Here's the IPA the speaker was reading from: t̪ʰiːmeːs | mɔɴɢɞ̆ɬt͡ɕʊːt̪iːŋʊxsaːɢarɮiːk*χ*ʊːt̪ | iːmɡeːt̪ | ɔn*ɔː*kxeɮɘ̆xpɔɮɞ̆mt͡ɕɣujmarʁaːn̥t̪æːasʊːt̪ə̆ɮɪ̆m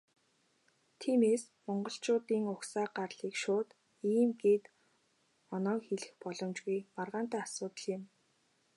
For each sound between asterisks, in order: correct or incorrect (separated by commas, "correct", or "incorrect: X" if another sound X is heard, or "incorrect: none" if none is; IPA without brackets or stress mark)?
incorrect: ʃ, correct